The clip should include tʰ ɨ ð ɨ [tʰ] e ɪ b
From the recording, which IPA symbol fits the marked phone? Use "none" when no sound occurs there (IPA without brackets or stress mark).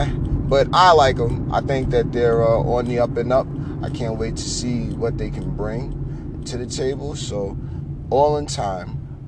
tʰ